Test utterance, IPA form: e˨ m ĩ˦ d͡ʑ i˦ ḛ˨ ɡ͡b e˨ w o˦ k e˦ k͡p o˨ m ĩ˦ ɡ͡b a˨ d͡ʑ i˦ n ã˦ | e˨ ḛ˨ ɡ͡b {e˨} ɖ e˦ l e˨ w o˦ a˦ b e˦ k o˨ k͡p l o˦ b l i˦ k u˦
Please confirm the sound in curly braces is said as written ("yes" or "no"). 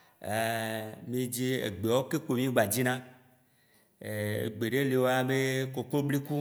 yes